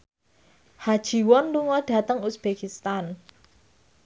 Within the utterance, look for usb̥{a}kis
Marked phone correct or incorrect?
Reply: incorrect